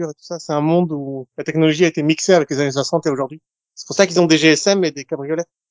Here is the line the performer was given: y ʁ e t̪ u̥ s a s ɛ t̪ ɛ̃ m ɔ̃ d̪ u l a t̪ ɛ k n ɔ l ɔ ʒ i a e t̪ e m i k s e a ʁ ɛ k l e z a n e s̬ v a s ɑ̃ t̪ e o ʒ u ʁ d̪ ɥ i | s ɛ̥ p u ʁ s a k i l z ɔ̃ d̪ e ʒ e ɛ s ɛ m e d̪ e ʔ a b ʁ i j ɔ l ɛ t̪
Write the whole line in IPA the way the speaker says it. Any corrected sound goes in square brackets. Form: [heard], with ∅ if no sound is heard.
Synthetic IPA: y ʁ e t̪ u̥ s a s ɛ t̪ ɛ̃ m ɔ̃ d̪ u l a t̪ ɛ k n ɔ l ɔ ʒ i a e t̪ e m i k s e a [v] ɛ k l e z a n e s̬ [w] a s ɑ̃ t̪ e o ʒ u ʁ d̪ ɥ i | s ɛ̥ p u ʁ s a k i l z ɔ̃ d̪ e ʒ e ɛ s ɛ m e d̪ e [k] a b ʁ i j ɔ l ɛ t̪